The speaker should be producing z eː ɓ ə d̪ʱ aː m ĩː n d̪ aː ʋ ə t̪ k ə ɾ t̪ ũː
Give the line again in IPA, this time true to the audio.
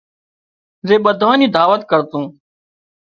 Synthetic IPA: z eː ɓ ə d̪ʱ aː n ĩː d̪ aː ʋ ə t̪ k ə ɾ t̪ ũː